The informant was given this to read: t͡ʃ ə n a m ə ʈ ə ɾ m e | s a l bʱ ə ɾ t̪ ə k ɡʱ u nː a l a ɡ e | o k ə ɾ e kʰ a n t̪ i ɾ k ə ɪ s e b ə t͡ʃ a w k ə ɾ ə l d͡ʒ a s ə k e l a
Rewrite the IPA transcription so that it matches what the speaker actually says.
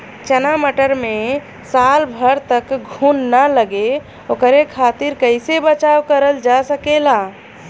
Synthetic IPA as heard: t͡ʃ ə n a m ə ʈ ə ɾ m e | s a l bʱ ə ɾ t̪ ə k ɡʱ u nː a l ə ɡ e | o k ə ɾ e kʰ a t̪ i ɾ k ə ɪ s e b ə t͡ʃ a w k ə ɾ ə l d͡ʒ a s ə k e l a

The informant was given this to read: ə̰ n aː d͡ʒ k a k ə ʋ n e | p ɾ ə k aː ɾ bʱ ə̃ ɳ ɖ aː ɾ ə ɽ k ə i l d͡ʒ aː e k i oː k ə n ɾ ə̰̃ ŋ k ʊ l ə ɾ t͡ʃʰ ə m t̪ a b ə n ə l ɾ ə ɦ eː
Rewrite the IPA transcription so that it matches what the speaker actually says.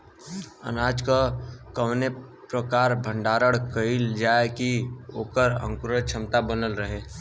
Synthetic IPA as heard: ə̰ n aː d͡ʒ k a k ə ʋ n e | p ɾ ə k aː ɾ bʱ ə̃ ɳ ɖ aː ɾ ə ɽ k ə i l d͡ʒ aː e k i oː k ə ɾ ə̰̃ ŋ k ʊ ɾ ə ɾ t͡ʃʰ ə m t̪ a b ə n ə l ɾ ə ɦ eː

